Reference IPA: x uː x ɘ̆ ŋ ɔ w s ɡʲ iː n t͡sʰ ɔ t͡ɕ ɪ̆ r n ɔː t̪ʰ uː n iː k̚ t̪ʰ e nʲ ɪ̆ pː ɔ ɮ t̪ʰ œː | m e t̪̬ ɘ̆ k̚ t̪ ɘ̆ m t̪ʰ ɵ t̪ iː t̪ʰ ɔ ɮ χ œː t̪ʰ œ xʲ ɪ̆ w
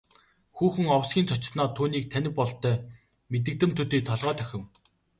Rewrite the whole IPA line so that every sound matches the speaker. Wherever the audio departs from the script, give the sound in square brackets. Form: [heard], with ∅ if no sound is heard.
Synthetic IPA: x uː x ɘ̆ ŋ ɔ w s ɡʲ iː n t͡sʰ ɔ t͡ɕ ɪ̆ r n ɔː t̪ʰ uː n iː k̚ t̪ʰ [æ] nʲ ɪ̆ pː ɔ ɮ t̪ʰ œː | m e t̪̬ ɘ̆ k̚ t̪ ɘ̆ m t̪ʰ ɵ t̪ iː t̪ʰ ɔ ɮ [ʁ] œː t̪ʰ œ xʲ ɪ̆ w